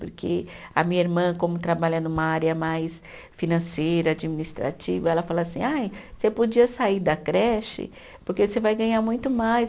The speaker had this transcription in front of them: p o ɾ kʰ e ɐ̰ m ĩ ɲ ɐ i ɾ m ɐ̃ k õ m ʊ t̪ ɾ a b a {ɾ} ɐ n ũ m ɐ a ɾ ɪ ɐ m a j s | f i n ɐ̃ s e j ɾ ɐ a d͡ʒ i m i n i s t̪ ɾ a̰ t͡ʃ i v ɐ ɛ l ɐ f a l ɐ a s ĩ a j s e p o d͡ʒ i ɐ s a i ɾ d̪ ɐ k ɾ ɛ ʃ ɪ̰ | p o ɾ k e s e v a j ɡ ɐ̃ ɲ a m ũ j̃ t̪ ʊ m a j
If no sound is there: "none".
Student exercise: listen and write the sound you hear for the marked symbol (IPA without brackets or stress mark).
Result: ʎ